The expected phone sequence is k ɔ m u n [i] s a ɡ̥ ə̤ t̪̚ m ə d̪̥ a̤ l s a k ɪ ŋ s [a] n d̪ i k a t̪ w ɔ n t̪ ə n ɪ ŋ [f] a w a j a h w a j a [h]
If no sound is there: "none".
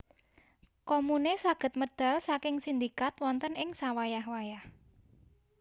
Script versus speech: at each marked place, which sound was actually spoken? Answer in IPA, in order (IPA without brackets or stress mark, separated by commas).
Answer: e, i, s, h